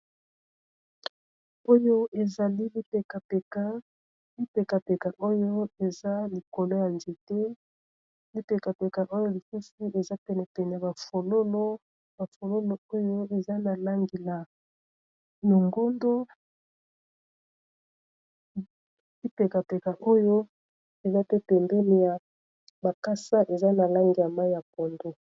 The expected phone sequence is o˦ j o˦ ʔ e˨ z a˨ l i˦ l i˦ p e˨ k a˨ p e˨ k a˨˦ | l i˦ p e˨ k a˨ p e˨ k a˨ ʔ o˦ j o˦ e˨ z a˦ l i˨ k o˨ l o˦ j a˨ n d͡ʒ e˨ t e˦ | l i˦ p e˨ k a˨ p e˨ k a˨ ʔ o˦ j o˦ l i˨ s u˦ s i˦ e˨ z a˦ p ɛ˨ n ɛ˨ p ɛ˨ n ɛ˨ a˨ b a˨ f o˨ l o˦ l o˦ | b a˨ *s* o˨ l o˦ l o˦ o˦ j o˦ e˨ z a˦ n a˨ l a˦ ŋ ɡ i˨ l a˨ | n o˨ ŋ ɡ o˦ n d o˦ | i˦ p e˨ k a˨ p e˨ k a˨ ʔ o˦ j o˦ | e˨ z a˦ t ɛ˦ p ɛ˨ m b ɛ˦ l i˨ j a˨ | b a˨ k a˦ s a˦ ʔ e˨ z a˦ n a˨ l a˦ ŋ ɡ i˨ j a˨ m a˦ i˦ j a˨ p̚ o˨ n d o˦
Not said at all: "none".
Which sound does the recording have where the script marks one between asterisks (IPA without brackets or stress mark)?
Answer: f